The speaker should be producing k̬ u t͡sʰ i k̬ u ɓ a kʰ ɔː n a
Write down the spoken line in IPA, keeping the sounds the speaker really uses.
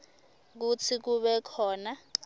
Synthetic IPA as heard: k̬ u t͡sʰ i k̬ u ɓ ɛ kʰ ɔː n a